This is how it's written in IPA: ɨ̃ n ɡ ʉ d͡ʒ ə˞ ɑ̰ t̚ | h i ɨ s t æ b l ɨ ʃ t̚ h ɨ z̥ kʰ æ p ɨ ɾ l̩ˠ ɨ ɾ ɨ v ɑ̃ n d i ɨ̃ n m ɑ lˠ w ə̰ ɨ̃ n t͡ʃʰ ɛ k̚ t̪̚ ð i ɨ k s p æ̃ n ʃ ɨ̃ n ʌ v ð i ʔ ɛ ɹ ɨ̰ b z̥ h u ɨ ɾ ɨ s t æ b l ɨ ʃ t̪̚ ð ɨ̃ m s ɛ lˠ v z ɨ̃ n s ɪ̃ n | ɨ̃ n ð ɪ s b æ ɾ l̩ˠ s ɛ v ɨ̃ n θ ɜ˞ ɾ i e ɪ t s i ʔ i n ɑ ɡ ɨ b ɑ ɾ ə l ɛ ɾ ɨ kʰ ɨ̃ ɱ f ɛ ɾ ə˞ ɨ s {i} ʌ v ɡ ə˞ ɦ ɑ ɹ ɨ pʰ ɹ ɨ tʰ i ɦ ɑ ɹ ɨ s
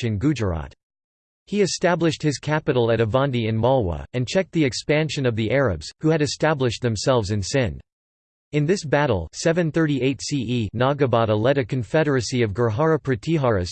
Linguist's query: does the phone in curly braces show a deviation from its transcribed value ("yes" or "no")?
no